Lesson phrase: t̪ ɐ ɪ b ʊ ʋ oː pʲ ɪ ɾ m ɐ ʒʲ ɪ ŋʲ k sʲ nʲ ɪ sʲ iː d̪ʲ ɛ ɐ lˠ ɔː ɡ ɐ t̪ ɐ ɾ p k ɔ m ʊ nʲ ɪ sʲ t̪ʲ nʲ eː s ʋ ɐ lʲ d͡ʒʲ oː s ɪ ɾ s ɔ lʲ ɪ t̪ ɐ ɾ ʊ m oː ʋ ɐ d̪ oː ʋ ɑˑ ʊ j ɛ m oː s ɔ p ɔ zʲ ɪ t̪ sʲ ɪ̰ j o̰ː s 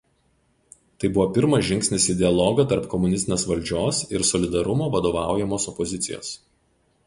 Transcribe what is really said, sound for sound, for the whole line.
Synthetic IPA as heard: t̪ ɐ ɪ b ʊ ʋ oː pʲ ɪ ɾ m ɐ ʒʲ ɪ ŋʲ k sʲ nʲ ɪ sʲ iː d̪ʲ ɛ ɐ lˠ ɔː ɡ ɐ t̪ ɐ ɾ p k ɔ m ʊ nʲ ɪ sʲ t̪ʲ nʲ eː s ʋ ɐ lʲ d͡ʒʲ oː s ɪ ɾ s ɔ lʲ ɪ d̪ ɐ ɾ ʊ m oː ʋ ɐ d̪ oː ʋ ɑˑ ʊ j ɛ m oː s ɔ p ɔ zʲ ɪ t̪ sʲ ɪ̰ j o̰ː s

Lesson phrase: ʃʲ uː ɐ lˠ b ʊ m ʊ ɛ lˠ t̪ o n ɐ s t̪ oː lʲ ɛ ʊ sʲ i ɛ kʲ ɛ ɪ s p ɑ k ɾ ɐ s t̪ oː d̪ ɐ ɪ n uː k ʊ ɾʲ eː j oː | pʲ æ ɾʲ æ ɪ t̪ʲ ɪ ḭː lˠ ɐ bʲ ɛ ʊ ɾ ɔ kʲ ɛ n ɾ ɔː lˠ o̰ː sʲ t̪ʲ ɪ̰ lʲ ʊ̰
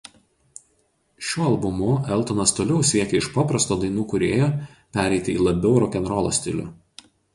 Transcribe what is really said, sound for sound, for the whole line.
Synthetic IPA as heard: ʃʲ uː ɐ lˠ b ʊ m ʊ ɛ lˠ t̪ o n ɐ s t̪ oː lʲ ɛ ʊ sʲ i ɛ kʲ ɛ ɪ ʃ p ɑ p ɾ ɐ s t̪ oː d̪ ɐ ɪ n uː k ʊ ɾʲ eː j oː | pʲ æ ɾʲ ɛ ɪ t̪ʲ ɪ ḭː lˠ ɐ bʲ ɛ ʊ ɾ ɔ kʲ ɛ n ɾ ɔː lˠ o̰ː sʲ t̪ʲ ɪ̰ lʲ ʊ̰

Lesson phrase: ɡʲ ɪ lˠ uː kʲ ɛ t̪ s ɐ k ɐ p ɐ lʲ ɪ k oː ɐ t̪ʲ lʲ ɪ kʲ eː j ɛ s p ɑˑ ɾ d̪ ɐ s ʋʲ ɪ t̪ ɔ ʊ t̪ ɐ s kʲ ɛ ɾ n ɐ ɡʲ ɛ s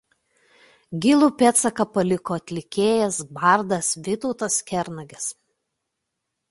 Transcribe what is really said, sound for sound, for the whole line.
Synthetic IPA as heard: ɡʲ ɪ lˠ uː pʲ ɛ t̪ s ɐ k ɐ p ɐ lʲ ɪ k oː ɐ t̪ʲ lʲ ɪ kʲ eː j ɛ s b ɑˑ ɾ d̪ ɐ s ʋʲ ɪ t̪ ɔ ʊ t̪ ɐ s kʲ ɛ ɾ n ɐ ɡʲ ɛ s

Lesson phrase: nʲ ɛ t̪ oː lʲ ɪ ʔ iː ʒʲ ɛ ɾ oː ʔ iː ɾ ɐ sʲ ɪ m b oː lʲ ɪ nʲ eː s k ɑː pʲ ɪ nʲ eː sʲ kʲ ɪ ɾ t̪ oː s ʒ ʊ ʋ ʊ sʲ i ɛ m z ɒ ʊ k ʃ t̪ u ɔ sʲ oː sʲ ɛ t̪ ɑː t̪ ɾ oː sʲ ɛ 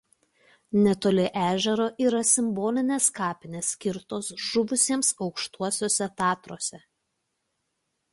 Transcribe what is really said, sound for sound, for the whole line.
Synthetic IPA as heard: nʲ ɛ t̪ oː lʲ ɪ ʔ æː ʒʲ ɛ ɾ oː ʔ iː ɾ ɐ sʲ ɪ m b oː lʲ ɪ nʲ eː s k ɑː pʲ ɪ nʲ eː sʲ kʲ ɪ ɾ t̪ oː s ʒ ʊ ʋ ʊ sʲ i ɛ m s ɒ ʊ k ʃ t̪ u ɔ sʲ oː sʲ ɛ t̪ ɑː t̪ ɾ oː sʲ ɛ

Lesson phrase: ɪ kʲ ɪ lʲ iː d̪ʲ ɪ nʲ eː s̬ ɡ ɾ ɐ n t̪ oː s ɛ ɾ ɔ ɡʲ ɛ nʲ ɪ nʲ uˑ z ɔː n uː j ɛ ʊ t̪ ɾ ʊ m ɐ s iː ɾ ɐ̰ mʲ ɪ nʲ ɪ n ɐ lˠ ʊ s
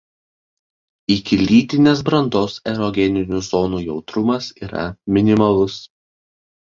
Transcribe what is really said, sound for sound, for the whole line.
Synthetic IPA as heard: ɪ kʲ ɪ lʲ iː t̪ʲ ɪ nʲ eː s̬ b ɾ ɐ n d̪ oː s ɛ ɾ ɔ ɡʲ ɛ nʲ ɪ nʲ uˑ z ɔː n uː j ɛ ʊ t̪ ɾ ʊ m ɐ s iː ɾ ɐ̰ mʲ ɪ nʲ ɪ m ɐ lˠ ʊ s

